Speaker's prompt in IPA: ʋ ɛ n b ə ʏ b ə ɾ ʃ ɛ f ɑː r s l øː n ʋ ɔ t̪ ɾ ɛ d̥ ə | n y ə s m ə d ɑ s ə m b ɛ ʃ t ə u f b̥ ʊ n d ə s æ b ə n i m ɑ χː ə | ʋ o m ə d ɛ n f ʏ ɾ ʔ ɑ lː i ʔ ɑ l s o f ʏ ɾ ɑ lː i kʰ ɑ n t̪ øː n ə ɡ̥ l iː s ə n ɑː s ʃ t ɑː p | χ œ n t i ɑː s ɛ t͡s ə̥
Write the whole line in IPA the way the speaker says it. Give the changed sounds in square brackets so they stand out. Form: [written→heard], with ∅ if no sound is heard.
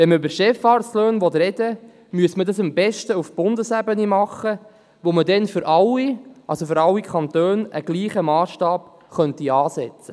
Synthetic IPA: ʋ ɛ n [b→m] ə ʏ b ə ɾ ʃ ɛ f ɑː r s l øː n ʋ ɔ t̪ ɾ ɛ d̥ ə | [n→m] y ə s m ə d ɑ s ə m b ɛ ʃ t ə u f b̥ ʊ n d ə s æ b ə n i m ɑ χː ə | ʋ o m ə d ɛ n f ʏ ɾ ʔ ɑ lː i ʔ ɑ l s o f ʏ ɾ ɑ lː i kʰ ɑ n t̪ øː n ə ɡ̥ l iː [s→χ] ə [n→m] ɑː s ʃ t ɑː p | χ œ n t i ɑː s ɛ t͡s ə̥

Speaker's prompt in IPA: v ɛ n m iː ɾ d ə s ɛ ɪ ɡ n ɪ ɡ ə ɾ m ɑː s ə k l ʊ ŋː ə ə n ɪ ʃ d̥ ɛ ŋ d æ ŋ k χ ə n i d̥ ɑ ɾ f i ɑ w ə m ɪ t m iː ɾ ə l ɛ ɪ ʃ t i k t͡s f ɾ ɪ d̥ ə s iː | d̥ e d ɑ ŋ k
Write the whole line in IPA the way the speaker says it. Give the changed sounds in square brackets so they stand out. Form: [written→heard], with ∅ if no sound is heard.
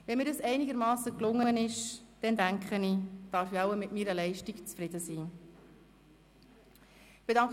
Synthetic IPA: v ɛ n m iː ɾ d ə s ɛ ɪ [ɡ→∅] n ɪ ɡ ə ɾ m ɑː s ə k l ʊ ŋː ə ə n ɪ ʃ d̥ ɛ [ŋ→n] d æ ŋ k χ ə n i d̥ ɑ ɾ f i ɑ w ə m ɪ t m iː ɾ ə l ɛ ɪ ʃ t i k t͡s f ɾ ɪ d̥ ə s iː | [d̥→b̥] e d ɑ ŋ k

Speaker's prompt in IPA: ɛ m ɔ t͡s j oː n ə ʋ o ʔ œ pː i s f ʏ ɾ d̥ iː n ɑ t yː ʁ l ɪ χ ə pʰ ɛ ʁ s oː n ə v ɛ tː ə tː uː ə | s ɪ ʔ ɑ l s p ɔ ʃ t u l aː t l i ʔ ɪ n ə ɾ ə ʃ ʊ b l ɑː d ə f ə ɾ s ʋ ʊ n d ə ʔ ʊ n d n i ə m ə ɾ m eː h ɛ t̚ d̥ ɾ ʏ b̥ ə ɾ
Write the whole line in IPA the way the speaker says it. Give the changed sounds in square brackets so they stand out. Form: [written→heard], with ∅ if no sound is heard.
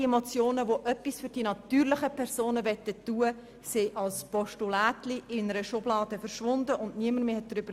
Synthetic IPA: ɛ m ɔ t͡s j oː n ə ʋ o ʔ œ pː i s f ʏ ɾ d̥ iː n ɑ t yː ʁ l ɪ χ ə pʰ ɛ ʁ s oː n ə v ɛ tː ə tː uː ə | s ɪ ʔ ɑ l s p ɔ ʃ t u l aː t l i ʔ ɪ n ə ɾ ə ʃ ʊ b l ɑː d ə f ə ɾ [s→ʃ] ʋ ʊ n d ə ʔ ʊ n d n i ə m ə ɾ m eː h ɛ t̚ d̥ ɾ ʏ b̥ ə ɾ

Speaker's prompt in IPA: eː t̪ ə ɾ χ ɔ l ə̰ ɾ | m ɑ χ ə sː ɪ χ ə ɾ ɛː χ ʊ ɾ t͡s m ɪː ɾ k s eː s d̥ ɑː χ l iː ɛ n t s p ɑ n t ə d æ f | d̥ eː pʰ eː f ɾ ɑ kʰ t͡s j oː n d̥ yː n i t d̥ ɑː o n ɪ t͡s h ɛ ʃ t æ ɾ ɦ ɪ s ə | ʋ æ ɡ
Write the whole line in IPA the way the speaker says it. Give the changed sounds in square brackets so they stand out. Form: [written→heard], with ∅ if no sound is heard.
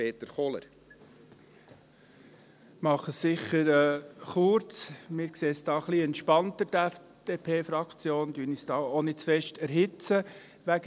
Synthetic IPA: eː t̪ ə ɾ χ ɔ l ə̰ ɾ | m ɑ χ ə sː ɪ χ ə ɾ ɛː χ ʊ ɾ t͡s m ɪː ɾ k s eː s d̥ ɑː χ l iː ɛ n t [s→ʃ] p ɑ n t ə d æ f | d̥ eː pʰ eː f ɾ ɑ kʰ t͡s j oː n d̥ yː n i [t→s] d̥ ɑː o n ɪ t͡s [h→f] ɛ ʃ t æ ɾ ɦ ɪ [s→t͡s] ə | ʋ æ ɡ

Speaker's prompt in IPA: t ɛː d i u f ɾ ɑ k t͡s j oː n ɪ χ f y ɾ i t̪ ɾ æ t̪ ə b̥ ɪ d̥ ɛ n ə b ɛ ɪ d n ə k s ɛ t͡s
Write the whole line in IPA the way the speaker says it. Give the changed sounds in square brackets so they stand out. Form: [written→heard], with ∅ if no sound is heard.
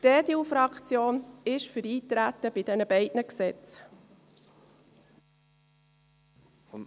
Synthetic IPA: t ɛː d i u f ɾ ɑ k t͡s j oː n ɪ [χ→ʃ] f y ɾ [i→iː] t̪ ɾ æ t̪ ə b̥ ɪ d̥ ɛ n ə b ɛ ɪ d n ə k s ɛ t͡s

